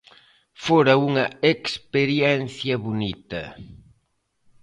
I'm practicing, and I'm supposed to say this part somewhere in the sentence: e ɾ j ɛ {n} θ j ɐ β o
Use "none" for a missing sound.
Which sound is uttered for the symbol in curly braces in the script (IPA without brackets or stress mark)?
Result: n